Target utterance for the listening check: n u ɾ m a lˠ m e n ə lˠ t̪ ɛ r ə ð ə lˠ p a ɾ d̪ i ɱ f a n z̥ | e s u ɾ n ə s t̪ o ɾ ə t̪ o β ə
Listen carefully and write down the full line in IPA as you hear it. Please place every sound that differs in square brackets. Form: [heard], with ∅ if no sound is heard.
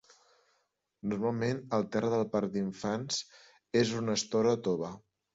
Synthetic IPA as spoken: n u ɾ m a lˠ m e n ə lˠ t̪ ɛ r ə ð ə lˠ p a ɾ d̪ i ɱ f a n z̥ | e [z] u [∅] n ə s t̪ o ɾ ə t̪ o β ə